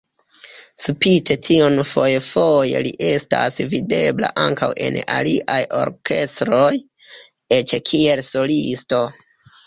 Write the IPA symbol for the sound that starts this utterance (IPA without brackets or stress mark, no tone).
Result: s